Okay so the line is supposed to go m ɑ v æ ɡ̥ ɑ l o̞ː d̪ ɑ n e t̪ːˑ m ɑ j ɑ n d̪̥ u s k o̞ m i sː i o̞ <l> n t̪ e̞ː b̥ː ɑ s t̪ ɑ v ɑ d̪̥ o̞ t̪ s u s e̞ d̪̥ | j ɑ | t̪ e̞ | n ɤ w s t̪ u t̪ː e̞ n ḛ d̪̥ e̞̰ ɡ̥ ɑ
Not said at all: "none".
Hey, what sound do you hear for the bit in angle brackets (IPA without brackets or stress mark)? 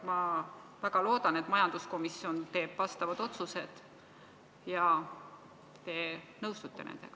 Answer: none